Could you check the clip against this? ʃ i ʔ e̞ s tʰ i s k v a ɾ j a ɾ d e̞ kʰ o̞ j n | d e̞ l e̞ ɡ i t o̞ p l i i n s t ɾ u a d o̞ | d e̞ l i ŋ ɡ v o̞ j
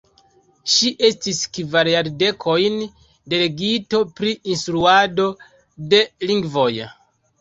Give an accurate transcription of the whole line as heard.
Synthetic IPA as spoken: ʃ i ʔ e̞ s t i s k v a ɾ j a ɾ d e̞ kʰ o̞ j n | d e̞ l e̞ ɡ i t o̞ p ɾ i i n s t ɾ u a d o̞ | d e̞ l i ŋ ɡ v o̞ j